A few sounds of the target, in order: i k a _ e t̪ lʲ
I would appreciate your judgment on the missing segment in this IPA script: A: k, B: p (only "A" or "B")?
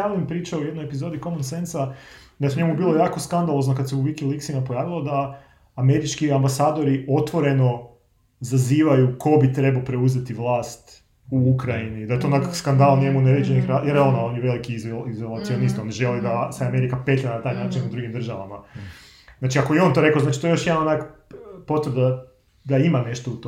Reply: B